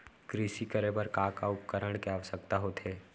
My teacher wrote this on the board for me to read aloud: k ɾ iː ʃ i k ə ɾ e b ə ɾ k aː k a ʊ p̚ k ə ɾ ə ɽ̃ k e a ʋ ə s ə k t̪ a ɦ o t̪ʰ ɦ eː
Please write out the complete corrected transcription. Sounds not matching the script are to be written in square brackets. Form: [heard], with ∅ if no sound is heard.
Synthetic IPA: k ɾ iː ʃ i k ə ɾ e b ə ɾ k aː k a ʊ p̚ k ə ɾ ə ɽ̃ k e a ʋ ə s ə k t̪ a ɦ o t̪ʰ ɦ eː